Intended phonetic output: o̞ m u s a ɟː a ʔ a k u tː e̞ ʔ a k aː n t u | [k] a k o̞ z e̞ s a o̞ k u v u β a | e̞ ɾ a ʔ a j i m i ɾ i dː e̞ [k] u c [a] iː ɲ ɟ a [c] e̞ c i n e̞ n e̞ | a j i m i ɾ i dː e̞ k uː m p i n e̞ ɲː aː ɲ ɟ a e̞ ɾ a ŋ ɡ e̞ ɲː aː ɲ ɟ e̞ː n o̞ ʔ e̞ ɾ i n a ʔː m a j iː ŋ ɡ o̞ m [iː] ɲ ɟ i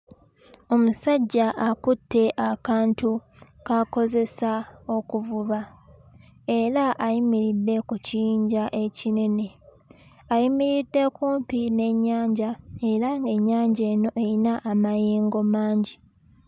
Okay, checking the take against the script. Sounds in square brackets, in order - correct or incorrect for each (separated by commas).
correct, correct, incorrect, incorrect, incorrect